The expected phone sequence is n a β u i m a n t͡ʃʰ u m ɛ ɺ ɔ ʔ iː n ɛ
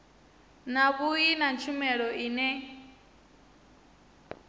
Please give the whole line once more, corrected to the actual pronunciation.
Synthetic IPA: n a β u i n a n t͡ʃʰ u m ɛ ɺ ɔ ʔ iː n ɛ